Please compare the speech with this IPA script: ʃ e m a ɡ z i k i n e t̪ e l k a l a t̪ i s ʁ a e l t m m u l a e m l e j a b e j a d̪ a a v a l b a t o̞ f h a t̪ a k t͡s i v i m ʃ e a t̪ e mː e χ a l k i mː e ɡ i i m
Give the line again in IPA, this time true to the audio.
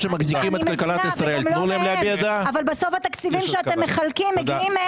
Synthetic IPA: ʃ e m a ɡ z i k i m e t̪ a l k a l a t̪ i s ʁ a e l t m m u l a e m l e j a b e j a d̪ a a v a l b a s o̞ f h a t̪ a k t͡s i v i m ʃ e a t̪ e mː e χ a l k i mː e ɡ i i m